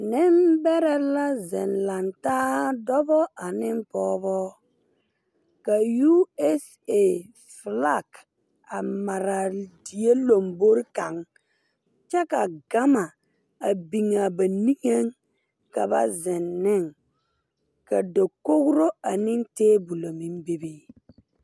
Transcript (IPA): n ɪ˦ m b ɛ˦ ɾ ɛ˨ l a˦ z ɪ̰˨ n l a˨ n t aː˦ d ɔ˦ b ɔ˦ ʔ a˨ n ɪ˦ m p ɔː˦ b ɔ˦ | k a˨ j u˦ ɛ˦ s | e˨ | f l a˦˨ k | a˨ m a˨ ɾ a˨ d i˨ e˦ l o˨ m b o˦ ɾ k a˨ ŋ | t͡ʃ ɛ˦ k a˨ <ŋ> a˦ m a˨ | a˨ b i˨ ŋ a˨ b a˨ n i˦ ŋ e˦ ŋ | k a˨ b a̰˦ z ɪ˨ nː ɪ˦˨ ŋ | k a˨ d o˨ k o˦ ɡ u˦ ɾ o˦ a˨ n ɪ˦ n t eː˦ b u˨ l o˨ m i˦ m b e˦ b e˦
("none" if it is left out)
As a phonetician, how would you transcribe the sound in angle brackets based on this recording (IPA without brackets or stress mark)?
ɡ